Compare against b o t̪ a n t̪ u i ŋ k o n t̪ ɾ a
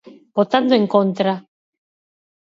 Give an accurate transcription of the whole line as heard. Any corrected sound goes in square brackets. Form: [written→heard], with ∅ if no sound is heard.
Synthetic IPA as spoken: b o t̪ a n [t̪→d̪] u [i→e] ŋ k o n t̪ ɾ a